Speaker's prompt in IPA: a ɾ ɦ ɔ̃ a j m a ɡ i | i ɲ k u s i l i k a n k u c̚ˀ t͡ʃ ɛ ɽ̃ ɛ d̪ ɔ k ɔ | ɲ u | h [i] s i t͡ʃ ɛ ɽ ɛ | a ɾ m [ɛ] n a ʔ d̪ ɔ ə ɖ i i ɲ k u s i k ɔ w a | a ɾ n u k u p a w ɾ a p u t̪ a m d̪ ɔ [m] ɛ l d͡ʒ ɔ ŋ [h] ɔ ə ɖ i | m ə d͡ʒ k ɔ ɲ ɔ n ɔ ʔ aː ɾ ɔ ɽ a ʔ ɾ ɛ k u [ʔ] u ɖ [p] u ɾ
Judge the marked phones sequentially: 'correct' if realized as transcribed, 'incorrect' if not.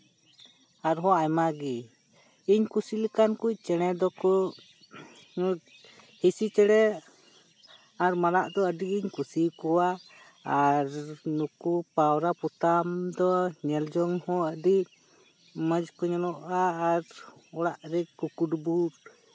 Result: correct, incorrect, incorrect, correct, incorrect, incorrect

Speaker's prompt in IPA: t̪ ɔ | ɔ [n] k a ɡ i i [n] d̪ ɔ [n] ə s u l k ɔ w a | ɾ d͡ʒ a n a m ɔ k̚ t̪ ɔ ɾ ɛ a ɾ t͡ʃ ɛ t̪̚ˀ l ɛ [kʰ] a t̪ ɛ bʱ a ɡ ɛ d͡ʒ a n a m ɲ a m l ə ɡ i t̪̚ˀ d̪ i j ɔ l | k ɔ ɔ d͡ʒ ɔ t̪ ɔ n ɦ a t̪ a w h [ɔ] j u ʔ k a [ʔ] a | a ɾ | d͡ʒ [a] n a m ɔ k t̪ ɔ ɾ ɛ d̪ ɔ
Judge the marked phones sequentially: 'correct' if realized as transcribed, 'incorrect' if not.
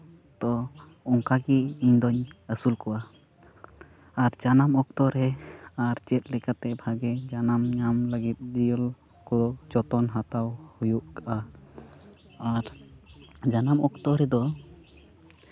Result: incorrect, incorrect, incorrect, incorrect, incorrect, correct, correct

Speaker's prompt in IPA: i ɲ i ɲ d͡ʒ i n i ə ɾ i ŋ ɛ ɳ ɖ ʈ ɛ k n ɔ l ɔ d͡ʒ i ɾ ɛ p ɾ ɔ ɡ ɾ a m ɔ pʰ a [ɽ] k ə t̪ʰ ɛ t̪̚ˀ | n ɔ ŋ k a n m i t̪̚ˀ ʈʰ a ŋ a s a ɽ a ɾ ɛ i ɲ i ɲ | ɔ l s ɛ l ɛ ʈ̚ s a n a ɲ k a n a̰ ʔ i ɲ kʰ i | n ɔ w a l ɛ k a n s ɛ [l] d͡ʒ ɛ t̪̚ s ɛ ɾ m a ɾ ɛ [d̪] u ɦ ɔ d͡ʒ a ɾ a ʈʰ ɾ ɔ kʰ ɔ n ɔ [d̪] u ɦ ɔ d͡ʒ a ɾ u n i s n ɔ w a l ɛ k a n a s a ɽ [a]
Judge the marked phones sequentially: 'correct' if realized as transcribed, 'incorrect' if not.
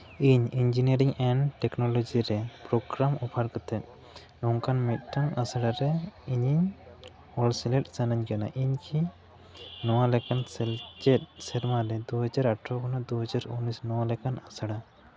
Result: incorrect, correct, correct, correct, correct

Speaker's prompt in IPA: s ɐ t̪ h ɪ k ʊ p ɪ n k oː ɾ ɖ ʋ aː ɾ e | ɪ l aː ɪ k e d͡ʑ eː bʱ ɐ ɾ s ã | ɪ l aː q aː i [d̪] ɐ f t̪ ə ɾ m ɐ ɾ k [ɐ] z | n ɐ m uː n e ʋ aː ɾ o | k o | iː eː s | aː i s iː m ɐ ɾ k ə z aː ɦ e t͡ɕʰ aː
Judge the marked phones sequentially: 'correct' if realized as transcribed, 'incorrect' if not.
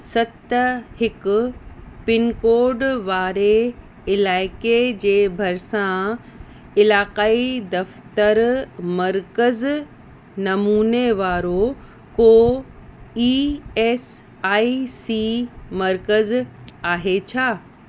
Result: correct, incorrect

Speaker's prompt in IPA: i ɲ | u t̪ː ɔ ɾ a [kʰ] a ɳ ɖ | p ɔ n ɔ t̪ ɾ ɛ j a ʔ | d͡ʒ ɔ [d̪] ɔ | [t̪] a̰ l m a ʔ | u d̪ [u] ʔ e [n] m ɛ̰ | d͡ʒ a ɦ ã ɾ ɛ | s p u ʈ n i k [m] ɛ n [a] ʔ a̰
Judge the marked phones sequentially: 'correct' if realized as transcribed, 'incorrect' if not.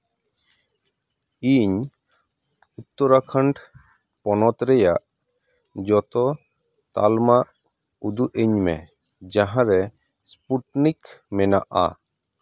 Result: correct, incorrect, correct, correct, incorrect, correct, correct

